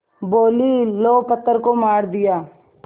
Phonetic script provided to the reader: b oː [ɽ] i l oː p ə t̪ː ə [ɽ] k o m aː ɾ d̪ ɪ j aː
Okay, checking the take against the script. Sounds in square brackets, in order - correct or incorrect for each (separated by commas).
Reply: incorrect, incorrect